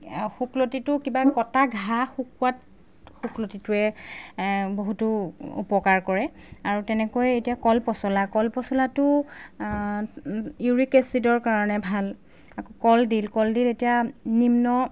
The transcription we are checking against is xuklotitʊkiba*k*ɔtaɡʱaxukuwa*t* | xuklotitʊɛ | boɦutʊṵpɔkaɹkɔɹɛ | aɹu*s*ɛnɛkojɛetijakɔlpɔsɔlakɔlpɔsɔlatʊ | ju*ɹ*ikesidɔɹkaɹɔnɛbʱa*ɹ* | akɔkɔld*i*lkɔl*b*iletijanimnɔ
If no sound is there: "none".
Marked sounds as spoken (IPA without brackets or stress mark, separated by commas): k, t, t, ɹ, l, i, d